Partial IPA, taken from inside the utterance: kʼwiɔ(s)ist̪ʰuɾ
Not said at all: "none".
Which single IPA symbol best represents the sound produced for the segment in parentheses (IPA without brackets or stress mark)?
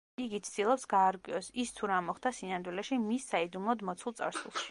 s